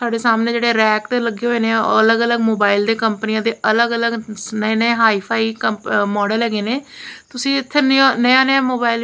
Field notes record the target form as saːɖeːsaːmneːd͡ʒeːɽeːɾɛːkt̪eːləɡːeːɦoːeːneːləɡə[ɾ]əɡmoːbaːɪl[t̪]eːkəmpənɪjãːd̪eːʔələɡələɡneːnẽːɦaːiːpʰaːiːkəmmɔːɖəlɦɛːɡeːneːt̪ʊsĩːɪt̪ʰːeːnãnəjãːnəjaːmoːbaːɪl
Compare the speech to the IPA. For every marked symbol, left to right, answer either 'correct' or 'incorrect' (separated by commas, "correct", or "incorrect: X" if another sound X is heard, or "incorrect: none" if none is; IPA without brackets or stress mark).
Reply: incorrect: l, incorrect: d̪